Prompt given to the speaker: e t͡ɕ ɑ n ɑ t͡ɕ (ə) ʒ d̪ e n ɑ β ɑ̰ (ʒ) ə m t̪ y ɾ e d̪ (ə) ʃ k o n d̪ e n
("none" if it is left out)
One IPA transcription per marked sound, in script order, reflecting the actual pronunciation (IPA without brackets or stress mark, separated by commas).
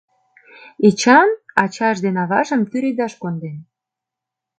ɑ, ʒ, ɑ